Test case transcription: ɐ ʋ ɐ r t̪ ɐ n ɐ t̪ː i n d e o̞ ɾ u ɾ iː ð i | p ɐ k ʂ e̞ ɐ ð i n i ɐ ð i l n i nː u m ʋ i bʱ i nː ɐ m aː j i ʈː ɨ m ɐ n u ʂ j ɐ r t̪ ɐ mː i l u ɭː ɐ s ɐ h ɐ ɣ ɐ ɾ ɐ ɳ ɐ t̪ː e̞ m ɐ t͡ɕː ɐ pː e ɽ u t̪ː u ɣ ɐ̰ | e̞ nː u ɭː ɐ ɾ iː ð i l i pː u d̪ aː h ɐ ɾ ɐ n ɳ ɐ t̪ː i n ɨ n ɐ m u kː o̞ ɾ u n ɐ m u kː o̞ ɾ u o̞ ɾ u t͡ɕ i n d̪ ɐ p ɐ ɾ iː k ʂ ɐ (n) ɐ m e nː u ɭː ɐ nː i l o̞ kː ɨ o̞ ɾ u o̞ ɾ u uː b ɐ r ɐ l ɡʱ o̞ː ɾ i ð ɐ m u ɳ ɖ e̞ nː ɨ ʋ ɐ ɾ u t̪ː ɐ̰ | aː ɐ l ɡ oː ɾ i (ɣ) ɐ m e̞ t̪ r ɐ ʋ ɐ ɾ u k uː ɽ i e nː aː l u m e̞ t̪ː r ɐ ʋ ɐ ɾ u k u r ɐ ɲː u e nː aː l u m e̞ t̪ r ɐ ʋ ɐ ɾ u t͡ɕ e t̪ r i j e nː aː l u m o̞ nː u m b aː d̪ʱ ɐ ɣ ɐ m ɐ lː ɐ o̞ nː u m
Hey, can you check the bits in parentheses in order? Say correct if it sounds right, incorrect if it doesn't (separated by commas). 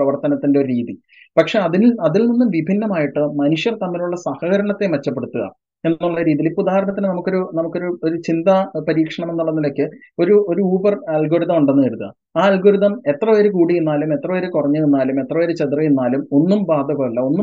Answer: incorrect, incorrect